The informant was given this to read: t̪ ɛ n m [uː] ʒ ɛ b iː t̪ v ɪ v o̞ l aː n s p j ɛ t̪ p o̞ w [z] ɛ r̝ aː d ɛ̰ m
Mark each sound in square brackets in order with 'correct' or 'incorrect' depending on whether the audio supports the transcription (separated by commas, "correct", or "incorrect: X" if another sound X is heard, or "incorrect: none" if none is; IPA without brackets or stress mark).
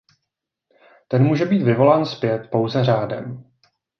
correct, correct